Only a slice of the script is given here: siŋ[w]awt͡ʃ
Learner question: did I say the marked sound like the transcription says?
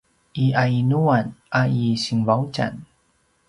no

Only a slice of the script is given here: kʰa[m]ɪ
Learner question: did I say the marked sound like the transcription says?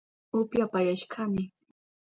yes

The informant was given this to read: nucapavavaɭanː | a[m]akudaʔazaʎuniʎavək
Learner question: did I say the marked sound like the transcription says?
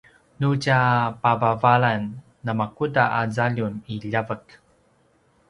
yes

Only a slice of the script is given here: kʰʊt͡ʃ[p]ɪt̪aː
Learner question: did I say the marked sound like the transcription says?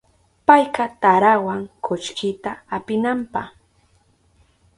no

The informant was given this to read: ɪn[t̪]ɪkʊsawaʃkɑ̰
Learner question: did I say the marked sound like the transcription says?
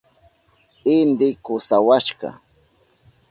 no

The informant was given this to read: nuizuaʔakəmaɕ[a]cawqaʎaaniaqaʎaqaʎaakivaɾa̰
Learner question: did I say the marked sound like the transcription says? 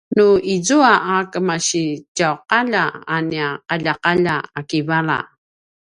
no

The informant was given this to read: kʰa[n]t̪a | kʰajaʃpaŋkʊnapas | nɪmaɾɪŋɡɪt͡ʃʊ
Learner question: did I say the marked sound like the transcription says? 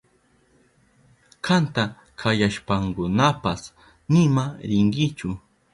yes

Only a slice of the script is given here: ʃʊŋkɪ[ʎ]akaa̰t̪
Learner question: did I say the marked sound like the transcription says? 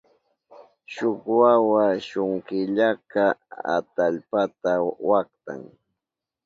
yes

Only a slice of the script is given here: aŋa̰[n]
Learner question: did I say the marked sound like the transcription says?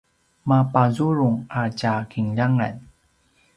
yes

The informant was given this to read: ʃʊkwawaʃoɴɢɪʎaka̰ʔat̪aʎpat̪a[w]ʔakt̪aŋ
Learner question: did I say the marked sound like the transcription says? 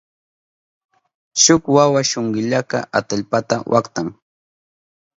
yes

